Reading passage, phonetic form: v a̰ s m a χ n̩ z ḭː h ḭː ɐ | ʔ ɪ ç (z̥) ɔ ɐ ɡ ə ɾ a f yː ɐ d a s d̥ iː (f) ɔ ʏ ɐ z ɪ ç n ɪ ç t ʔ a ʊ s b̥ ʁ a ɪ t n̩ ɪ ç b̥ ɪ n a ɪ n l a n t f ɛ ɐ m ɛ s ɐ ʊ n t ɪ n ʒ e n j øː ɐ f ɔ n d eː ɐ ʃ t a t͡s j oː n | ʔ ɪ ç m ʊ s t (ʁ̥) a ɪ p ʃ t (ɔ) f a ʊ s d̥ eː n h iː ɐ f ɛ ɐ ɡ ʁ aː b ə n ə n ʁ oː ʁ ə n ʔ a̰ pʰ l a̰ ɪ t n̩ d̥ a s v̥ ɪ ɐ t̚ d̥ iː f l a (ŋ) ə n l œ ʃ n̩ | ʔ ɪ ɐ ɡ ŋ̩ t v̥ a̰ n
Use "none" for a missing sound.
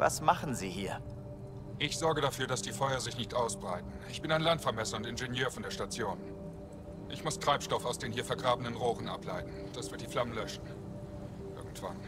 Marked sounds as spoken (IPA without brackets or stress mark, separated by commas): z̥, f, ʁ̥, ɔ, m